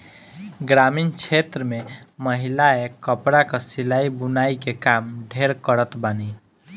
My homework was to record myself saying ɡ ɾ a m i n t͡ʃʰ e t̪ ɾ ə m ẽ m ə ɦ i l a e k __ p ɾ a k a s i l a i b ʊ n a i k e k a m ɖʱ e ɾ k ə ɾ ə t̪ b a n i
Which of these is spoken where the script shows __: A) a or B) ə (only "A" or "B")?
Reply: B